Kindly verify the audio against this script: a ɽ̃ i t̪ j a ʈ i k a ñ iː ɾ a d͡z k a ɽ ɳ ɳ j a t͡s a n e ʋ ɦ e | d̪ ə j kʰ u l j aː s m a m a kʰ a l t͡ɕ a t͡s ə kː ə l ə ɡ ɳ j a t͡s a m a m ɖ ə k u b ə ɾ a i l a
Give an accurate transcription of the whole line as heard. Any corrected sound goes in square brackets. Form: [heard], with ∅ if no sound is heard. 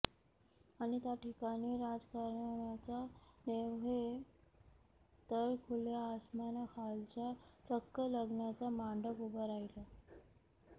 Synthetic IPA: a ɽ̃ i t̪ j a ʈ i k a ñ iː ɾ a d͡z k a [ɾ] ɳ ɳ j a t͡s a n e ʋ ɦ e | [t̪] ə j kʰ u l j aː s m a [n] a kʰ a l t͡ɕ a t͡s ə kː ə l ə ɡ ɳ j a t͡s a m a [ɳ] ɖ ə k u b ə ɾ a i l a